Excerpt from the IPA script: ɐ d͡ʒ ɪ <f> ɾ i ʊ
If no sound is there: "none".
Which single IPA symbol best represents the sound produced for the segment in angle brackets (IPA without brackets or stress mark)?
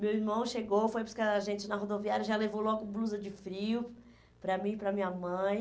f